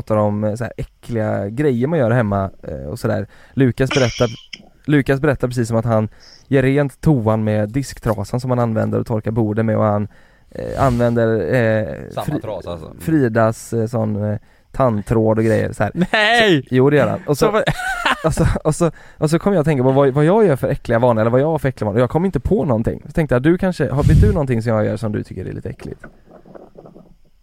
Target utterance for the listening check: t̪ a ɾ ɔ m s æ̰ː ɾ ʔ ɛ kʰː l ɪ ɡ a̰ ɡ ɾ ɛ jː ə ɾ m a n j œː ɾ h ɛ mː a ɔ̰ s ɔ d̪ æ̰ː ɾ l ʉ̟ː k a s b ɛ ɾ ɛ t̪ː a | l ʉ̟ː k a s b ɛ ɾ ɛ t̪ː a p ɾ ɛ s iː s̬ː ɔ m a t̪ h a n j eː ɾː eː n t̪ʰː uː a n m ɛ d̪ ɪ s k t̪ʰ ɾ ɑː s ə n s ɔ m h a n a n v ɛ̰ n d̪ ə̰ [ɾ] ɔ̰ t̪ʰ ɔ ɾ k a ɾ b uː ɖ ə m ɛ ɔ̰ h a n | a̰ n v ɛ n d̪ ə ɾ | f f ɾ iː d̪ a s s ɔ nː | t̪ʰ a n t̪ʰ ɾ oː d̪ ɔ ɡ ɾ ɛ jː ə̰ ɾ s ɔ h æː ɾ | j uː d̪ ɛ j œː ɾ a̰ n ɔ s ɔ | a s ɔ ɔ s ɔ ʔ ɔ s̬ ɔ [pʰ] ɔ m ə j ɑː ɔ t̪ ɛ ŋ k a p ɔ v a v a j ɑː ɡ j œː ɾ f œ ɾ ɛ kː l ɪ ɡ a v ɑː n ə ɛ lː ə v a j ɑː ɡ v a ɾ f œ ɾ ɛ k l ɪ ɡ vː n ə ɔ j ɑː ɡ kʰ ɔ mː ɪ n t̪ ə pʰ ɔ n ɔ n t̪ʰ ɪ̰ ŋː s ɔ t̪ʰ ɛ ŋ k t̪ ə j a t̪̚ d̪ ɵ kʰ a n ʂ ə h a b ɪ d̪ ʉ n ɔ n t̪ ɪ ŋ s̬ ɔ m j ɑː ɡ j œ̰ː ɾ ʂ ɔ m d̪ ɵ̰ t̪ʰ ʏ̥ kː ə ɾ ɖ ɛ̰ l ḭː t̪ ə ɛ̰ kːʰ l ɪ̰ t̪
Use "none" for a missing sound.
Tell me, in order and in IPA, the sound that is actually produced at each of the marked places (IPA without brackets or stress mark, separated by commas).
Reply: ɾ, kʰ